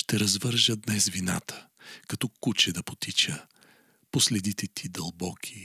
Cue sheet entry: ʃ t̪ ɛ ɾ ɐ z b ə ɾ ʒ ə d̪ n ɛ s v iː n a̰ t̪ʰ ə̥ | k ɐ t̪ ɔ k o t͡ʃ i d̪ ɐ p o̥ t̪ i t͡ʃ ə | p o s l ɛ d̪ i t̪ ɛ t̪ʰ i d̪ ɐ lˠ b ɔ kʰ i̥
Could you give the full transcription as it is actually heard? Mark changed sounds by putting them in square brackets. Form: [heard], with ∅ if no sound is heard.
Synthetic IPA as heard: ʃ t̪ ɛ ɾ ɐ z [v] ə ɾ ʒ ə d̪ n ɛ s v [i] n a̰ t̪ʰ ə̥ | k ɐ t̪ ɔ k [u] t͡ʃ [ɛ] d̪ ɐ p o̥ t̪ i t͡ʃ ə | p o s l ɛ d̪ i t̪ ɛ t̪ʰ i d̪ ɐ lˠ b ɔ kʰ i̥